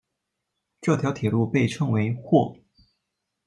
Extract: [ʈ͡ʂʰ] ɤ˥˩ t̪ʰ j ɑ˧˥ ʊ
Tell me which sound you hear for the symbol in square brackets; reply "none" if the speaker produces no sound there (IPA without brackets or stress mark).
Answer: ʈ͡ʂ